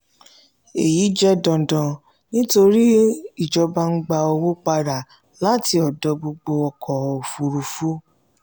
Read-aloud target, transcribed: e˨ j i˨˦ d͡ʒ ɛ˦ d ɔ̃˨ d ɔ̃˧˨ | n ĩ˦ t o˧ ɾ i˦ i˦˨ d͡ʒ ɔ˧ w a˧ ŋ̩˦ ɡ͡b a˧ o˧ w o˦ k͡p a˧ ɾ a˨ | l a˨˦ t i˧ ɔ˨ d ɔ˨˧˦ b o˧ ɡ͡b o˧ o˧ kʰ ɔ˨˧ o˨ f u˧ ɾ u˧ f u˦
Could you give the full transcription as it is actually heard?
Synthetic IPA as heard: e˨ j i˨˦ d͡ʒ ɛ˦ d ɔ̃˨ d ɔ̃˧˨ | n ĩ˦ t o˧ ɾ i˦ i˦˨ d͡ʒ ɔ˧ b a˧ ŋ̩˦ ɡ͡b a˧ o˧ w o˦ k͡p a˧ ɾ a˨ | l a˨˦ t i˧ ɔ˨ d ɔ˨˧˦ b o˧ ɡ͡b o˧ ɔ˧ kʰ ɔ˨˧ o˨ f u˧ ɾ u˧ f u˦